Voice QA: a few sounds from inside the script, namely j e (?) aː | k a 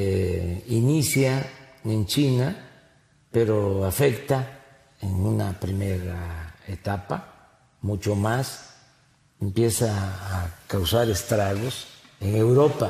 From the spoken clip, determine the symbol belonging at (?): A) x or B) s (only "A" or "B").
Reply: B